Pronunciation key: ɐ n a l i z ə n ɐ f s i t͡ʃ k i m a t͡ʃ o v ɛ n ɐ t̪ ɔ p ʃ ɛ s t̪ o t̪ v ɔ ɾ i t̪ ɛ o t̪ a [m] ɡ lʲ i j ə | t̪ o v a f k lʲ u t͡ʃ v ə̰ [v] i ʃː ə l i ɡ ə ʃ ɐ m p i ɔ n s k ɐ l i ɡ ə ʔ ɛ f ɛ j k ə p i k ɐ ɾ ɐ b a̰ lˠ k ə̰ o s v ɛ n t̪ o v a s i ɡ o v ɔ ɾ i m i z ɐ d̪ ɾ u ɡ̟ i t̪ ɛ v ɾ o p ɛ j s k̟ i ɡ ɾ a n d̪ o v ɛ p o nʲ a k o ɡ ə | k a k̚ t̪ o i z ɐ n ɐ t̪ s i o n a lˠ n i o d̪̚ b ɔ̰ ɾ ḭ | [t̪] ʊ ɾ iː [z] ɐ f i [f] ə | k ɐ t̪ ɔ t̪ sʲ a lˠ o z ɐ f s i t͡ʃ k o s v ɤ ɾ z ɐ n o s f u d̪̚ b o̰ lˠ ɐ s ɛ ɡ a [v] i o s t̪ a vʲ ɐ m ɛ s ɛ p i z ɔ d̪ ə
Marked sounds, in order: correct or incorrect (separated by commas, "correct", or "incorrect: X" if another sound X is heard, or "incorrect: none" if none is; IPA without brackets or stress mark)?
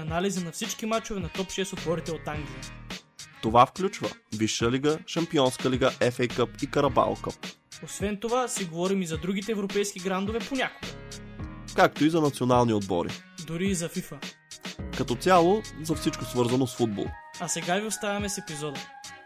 incorrect: ŋ, correct, incorrect: d̪, correct, correct, correct